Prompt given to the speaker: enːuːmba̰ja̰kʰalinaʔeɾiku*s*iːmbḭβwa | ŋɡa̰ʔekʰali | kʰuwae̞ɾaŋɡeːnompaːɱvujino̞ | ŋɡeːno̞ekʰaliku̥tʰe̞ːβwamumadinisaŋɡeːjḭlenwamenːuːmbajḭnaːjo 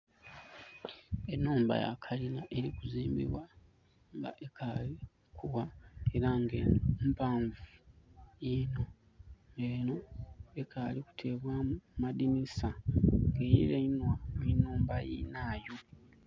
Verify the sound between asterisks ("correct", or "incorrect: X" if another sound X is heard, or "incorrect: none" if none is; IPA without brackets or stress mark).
incorrect: z